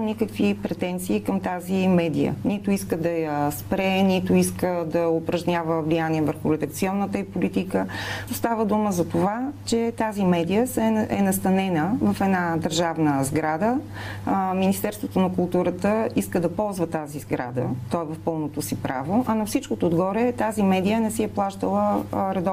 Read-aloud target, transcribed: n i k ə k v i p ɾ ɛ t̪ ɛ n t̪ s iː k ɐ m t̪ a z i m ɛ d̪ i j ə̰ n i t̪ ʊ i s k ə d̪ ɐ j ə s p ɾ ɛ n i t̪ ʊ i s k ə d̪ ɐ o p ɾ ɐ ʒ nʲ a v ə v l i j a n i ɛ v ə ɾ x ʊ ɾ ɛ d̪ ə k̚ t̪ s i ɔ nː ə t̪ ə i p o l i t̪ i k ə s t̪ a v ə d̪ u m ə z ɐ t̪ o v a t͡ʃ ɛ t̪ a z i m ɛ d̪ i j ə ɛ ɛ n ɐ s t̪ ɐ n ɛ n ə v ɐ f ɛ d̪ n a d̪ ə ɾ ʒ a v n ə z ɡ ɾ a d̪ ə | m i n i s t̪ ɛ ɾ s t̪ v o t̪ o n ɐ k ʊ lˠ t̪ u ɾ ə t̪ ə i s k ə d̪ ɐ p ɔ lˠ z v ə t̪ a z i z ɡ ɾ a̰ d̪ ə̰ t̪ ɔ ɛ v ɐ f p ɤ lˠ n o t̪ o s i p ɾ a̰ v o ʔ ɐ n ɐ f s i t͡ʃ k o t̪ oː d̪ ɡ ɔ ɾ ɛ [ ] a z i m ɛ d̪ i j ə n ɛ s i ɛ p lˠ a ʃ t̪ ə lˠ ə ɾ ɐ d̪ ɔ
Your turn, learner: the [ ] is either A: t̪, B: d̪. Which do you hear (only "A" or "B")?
A